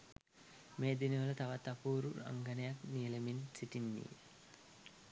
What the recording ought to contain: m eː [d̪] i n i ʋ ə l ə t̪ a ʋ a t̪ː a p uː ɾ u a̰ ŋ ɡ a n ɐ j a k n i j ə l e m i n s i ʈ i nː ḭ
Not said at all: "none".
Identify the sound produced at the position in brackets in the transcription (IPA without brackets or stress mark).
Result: d̪